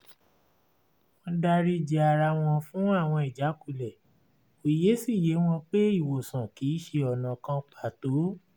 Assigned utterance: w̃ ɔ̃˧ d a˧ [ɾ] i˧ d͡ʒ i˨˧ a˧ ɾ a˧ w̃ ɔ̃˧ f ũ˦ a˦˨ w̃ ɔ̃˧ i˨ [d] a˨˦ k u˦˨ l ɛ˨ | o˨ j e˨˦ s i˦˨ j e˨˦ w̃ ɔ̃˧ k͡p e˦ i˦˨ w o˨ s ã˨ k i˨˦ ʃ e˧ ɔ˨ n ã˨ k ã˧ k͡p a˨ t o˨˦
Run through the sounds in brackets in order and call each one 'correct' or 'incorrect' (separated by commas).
correct, incorrect